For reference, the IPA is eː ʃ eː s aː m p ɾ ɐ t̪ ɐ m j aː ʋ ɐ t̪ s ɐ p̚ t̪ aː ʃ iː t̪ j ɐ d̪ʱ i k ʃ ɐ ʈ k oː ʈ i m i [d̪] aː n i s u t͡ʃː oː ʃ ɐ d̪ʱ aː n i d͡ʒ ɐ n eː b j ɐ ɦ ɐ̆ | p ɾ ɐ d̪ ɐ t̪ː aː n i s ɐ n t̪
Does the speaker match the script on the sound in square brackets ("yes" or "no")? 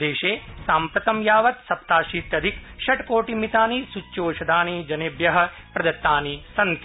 no